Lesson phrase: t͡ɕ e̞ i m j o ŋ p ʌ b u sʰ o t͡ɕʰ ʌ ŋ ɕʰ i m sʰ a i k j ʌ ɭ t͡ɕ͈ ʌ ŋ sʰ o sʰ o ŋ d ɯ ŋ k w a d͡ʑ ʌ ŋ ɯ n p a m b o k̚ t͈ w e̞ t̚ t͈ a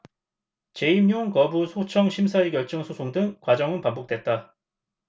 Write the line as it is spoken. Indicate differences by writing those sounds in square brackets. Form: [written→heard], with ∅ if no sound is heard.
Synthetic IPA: t͡ɕ e̞ i m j o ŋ [p→k] ʌ b u sʰ o t͡ɕʰ ʌ ŋ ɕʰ i m sʰ a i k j ʌ ɭ t͡ɕ͈ ʌ ŋ sʰ o sʰ o ŋ d ɯ ŋ k w a d͡ʑ ʌ ŋ ɯ n p a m b o k̚ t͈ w e̞ t̚ t͈ a